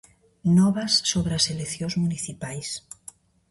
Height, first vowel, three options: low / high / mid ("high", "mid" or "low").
mid